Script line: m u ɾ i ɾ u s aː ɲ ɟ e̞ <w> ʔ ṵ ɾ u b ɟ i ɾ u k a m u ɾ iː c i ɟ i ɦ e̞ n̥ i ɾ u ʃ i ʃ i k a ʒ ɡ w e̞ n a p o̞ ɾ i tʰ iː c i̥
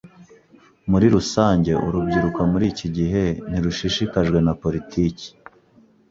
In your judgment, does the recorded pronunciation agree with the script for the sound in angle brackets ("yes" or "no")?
no